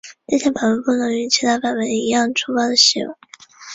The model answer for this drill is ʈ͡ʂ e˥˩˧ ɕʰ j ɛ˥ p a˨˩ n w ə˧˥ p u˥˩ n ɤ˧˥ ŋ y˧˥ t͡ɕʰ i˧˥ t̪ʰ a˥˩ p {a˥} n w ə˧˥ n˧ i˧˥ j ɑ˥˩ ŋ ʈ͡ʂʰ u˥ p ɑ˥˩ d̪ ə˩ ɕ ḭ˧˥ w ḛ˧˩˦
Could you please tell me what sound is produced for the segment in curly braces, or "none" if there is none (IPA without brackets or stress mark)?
a˨˩